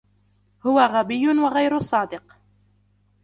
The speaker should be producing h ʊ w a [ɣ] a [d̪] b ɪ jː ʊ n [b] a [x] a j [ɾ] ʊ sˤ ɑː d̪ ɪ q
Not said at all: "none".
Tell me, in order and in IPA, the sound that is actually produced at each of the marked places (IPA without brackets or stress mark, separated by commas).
ɣ, none, w, ɣ, ɾ